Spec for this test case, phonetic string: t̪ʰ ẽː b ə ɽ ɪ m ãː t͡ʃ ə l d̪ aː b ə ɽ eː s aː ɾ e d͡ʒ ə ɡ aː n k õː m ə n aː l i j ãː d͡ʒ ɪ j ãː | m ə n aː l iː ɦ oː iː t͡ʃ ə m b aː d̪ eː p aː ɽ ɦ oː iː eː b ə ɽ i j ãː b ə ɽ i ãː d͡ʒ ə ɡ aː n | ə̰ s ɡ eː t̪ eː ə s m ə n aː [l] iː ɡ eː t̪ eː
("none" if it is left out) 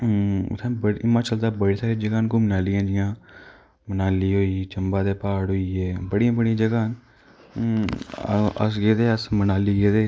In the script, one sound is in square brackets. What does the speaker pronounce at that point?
l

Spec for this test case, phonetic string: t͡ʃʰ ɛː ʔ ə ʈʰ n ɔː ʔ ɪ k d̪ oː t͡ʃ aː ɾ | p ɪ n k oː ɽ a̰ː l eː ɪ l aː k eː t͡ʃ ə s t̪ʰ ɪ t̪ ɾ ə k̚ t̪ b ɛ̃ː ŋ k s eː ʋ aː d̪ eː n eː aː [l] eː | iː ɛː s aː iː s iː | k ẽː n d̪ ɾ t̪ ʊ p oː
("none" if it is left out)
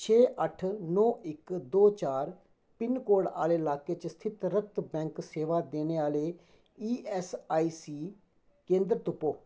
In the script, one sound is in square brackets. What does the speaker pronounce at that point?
l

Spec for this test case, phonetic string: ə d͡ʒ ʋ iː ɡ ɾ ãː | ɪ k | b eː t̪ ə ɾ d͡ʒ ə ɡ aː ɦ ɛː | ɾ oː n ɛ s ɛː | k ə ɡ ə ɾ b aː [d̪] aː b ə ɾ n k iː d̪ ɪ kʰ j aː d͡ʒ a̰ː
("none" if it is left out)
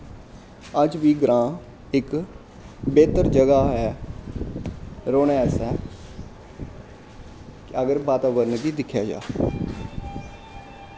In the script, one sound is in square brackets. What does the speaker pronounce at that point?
t̪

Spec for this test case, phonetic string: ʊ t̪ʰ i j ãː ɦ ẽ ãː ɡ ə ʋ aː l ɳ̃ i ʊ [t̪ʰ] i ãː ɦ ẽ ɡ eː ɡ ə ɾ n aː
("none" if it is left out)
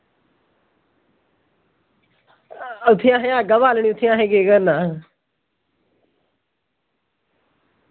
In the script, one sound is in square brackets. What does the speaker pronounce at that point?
t̪ʰ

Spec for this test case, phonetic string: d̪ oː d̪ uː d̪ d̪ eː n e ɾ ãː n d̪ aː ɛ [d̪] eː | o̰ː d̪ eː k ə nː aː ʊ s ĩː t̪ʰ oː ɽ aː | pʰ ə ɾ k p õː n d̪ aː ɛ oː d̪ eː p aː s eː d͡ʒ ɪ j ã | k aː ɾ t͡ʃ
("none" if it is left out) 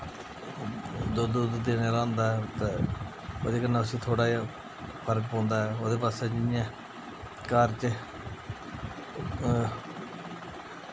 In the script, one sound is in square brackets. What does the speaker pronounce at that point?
t̪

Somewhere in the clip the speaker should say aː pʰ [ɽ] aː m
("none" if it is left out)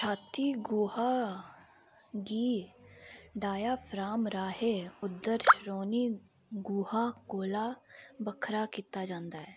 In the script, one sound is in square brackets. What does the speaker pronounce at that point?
ɾ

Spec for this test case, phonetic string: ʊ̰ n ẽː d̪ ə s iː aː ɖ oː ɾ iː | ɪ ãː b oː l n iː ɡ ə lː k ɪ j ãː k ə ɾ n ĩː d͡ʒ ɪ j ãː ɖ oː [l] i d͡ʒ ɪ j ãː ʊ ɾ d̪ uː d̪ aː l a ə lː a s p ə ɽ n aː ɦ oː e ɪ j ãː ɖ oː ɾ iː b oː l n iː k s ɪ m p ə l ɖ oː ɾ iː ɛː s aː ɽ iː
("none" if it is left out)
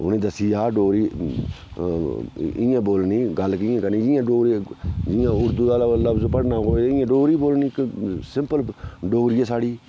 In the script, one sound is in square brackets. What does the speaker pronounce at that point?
ɾ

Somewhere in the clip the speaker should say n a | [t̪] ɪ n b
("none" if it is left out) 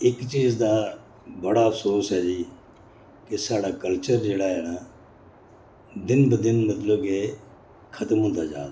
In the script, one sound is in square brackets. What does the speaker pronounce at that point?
d̪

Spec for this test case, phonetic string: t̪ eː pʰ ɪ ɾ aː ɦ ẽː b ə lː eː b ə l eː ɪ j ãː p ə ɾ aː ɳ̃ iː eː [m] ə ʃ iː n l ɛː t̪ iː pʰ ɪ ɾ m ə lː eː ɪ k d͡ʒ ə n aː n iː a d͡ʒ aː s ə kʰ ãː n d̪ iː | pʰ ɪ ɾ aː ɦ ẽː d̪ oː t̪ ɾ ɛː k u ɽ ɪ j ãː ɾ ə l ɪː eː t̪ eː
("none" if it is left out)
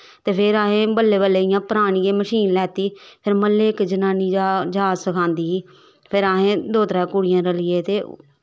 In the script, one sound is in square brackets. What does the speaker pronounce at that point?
m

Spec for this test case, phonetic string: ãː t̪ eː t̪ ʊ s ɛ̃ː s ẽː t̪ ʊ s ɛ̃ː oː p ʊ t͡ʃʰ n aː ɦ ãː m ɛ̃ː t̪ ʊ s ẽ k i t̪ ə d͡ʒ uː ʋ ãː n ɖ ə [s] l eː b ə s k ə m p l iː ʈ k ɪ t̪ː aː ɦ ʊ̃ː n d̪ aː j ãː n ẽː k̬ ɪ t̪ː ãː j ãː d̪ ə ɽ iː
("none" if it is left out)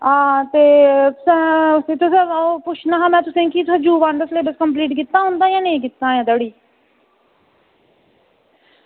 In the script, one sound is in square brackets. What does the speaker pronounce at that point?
s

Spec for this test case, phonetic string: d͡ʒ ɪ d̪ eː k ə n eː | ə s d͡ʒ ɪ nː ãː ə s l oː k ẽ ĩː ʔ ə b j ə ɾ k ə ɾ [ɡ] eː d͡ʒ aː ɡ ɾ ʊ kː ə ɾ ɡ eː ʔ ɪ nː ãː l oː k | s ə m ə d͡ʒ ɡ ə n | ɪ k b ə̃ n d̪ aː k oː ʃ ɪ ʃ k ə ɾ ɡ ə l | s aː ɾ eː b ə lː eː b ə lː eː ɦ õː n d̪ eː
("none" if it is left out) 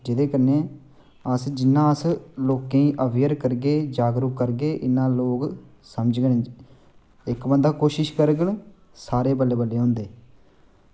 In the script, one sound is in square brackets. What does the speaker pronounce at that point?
ɡ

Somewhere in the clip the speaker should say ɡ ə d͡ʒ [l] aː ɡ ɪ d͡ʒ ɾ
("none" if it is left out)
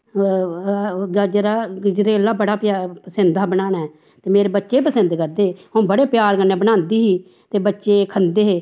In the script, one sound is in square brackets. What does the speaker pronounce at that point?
ɾ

